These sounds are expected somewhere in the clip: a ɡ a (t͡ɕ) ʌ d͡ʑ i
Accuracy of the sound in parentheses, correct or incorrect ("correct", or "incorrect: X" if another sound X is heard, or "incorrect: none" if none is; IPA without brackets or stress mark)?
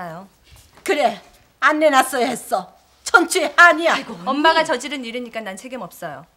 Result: correct